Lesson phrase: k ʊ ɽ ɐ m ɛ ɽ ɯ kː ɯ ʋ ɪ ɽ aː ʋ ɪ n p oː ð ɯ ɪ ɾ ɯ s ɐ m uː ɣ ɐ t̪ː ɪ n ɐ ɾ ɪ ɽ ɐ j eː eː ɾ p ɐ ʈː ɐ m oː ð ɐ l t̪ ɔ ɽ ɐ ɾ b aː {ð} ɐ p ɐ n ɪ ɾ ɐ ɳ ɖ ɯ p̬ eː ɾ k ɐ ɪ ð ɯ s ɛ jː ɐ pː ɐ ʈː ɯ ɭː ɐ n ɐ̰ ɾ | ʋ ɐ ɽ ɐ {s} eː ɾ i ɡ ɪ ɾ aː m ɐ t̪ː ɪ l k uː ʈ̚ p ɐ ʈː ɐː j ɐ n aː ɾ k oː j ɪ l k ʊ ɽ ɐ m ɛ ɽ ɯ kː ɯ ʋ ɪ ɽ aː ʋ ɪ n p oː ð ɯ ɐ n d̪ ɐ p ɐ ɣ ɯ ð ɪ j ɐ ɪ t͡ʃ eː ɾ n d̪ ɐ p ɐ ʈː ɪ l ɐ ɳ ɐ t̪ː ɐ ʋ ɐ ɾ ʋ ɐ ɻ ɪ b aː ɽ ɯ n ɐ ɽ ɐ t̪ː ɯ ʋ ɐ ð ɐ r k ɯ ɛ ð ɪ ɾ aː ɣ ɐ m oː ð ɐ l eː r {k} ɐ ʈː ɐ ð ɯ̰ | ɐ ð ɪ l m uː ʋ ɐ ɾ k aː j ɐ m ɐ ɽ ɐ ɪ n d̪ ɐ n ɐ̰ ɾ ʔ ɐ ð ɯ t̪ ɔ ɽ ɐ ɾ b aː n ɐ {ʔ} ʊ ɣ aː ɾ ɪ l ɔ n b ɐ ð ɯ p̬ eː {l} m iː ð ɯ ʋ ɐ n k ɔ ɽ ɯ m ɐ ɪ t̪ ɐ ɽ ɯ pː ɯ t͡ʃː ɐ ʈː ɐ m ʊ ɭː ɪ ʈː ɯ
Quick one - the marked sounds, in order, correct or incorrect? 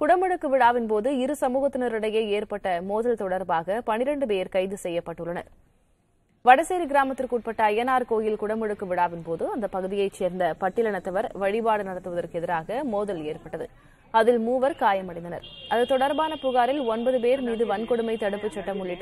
incorrect: ɣ, correct, incorrect: p, incorrect: p, incorrect: ɾ

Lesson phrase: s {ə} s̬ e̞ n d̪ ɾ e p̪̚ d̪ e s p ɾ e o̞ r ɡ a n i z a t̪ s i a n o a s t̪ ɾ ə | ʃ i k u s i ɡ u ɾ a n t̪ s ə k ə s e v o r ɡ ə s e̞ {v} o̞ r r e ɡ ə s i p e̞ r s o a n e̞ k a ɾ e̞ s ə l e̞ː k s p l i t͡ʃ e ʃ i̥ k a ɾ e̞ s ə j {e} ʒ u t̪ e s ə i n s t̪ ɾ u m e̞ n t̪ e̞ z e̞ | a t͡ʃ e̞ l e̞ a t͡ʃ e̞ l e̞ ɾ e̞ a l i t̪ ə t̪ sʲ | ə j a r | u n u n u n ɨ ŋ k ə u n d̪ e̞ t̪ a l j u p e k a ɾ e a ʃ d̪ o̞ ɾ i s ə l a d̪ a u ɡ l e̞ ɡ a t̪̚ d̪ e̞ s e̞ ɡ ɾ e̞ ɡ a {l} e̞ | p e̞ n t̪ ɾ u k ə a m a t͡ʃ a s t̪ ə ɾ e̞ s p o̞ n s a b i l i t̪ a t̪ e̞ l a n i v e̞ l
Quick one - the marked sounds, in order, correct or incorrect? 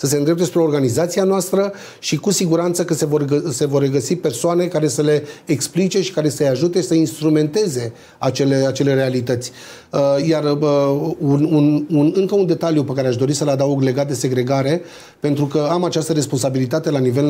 correct, correct, incorrect: a, incorrect: ɾ

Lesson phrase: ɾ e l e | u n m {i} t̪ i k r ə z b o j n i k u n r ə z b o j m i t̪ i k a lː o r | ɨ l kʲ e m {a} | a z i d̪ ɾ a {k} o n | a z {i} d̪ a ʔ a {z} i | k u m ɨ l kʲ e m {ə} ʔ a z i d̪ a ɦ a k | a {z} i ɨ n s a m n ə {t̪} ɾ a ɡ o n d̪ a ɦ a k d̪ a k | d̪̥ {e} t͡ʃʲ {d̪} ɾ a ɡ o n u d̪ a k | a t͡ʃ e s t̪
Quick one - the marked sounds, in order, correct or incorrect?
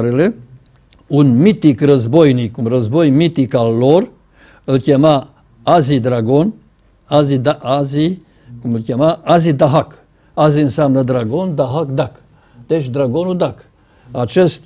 correct, correct, incorrect: ɡ, correct, correct, incorrect: a, correct, incorrect: d̪, correct, correct

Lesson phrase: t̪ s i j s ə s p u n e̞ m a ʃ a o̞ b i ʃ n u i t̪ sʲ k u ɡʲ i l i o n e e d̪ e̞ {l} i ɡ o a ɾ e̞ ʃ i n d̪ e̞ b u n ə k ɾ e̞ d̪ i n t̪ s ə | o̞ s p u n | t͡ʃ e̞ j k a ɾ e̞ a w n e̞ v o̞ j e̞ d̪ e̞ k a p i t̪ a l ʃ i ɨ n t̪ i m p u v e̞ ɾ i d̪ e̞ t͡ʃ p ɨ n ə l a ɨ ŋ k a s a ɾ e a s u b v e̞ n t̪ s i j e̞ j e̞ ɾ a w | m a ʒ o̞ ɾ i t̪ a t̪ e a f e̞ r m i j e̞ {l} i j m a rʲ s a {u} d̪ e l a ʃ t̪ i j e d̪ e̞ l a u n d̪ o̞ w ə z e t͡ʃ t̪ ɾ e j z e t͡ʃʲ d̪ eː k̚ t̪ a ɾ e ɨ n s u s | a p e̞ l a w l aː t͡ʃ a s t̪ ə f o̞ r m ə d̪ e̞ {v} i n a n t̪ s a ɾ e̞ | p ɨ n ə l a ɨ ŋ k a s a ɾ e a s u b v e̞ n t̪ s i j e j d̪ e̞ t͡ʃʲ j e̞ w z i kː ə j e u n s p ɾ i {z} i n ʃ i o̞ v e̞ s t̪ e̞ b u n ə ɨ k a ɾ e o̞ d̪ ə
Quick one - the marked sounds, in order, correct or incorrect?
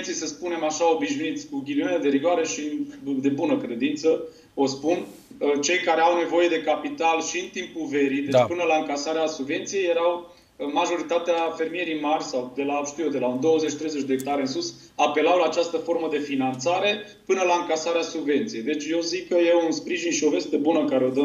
incorrect: ɾ, incorrect: ɾ, incorrect: w, incorrect: f, incorrect: ʒ

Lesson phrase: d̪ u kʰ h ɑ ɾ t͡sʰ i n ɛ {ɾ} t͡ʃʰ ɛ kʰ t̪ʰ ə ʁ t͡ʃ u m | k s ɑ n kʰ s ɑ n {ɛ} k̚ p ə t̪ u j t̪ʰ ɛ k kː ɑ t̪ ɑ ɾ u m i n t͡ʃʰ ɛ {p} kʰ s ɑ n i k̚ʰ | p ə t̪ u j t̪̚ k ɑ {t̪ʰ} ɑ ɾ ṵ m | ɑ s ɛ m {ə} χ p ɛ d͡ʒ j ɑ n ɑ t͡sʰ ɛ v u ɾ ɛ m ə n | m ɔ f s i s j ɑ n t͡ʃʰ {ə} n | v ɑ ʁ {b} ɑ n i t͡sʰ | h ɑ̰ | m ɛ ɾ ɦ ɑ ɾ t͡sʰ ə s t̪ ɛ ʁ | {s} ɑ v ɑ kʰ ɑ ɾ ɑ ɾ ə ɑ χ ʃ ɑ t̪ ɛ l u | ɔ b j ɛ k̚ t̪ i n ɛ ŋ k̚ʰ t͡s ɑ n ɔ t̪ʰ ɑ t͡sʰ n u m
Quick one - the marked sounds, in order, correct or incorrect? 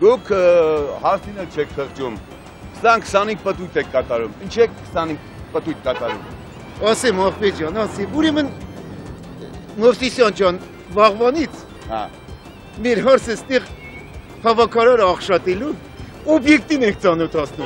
incorrect: l, incorrect: i, incorrect: k, incorrect: t̪, incorrect: ɑ, incorrect: ɑ, incorrect: v, incorrect: h

